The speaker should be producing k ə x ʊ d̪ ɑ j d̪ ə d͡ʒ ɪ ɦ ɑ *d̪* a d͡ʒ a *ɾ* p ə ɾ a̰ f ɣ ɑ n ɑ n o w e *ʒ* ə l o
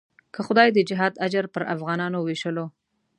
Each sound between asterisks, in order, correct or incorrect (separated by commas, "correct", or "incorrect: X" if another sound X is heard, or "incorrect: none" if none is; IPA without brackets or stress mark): correct, correct, incorrect: ʃ